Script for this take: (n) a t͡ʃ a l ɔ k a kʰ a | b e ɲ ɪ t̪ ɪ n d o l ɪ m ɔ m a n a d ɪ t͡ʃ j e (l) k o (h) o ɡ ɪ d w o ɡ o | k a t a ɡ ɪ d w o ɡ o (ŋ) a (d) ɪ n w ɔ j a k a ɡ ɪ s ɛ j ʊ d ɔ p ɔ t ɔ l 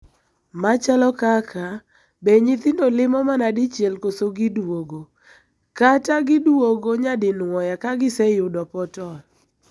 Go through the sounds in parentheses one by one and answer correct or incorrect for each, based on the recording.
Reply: incorrect: m, correct, incorrect: s, incorrect: ɲ, correct

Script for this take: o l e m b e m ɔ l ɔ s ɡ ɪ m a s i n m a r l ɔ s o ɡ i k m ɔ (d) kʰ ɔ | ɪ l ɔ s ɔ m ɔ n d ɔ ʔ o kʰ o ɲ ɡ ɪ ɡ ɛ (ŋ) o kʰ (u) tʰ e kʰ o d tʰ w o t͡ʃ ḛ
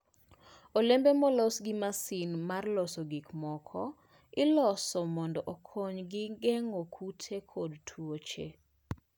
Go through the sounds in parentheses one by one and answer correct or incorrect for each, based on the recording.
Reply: incorrect: none, correct, correct

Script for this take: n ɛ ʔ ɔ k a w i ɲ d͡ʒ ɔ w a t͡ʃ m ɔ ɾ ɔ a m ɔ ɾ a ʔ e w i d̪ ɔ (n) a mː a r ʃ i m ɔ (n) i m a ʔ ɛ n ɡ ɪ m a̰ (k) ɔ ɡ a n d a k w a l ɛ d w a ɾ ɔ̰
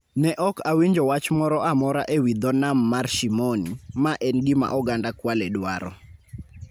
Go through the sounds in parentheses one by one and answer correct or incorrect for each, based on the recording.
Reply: correct, correct, incorrect: ʔ

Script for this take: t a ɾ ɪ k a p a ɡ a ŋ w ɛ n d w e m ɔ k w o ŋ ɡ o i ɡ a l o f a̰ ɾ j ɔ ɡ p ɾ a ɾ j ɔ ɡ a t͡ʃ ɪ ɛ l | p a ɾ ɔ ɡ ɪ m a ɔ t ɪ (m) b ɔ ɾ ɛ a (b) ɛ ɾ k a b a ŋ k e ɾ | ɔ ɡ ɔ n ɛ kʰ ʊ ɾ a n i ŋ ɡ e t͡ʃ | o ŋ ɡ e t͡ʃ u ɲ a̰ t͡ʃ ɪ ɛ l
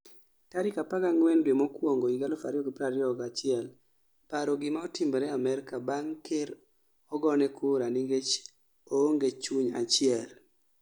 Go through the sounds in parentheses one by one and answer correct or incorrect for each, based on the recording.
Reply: correct, incorrect: m

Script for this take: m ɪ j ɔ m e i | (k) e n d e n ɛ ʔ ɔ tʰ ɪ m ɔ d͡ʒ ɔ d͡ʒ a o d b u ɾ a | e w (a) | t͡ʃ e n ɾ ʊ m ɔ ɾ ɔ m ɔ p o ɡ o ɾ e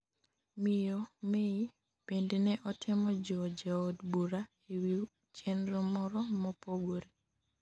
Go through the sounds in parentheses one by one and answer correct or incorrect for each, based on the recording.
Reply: incorrect: p, incorrect: i

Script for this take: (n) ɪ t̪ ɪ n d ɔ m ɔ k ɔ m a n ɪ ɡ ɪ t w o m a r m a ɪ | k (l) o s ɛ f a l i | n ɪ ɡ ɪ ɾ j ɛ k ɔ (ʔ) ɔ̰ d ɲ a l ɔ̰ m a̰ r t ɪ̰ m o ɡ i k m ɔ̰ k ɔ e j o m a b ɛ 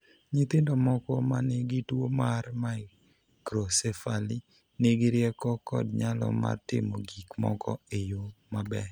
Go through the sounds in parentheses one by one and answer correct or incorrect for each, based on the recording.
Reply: incorrect: ɲ, incorrect: ɾ, incorrect: k

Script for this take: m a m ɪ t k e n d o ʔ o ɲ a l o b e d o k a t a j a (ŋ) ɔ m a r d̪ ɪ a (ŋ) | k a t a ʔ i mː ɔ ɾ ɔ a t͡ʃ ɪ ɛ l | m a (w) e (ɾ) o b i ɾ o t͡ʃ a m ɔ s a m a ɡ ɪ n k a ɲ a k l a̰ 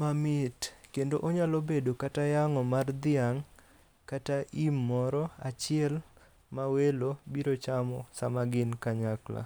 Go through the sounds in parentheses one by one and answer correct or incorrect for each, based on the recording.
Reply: correct, correct, correct, incorrect: l

